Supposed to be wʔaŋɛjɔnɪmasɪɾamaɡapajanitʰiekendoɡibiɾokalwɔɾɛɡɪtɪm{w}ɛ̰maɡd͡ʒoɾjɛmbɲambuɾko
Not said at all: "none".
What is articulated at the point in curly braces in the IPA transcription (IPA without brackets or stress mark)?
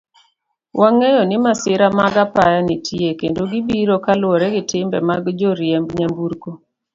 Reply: b